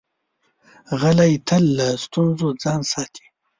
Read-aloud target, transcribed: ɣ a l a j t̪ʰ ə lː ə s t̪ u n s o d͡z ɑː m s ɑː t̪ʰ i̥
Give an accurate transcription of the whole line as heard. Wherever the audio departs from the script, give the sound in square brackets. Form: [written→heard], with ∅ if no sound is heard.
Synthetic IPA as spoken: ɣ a l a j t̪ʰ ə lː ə s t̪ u n [s→z] o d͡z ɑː [m→n] s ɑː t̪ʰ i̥